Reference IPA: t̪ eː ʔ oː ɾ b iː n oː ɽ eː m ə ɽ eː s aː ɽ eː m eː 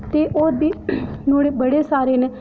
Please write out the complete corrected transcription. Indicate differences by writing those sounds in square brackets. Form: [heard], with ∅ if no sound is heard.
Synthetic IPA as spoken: t̪ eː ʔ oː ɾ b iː n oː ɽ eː [b] ə ɽ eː s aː [ɾ] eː [n] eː